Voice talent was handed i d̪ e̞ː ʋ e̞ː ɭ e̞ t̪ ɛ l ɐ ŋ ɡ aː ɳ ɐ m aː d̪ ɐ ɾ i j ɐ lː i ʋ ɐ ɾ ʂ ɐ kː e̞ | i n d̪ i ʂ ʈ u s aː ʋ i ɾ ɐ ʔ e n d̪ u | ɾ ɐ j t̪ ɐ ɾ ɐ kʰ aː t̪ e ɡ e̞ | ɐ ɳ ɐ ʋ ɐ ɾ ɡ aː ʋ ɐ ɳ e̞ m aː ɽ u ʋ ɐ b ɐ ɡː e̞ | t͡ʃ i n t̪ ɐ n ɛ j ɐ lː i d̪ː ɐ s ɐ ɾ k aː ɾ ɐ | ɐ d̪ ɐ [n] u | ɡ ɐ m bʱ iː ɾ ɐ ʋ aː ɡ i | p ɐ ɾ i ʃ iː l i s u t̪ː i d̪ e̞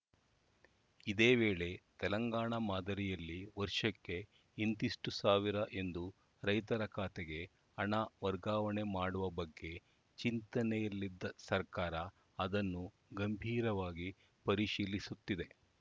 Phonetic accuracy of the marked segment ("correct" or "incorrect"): incorrect